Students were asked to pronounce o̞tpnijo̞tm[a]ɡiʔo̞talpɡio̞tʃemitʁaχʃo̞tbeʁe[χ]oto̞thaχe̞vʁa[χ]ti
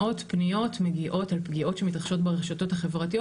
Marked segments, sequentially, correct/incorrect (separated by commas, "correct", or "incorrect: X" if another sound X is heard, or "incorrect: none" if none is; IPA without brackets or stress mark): incorrect: e, incorrect: ʃ, incorrect: none